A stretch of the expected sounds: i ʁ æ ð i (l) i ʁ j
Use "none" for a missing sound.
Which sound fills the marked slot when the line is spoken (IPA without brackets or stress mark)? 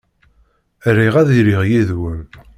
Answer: ɾ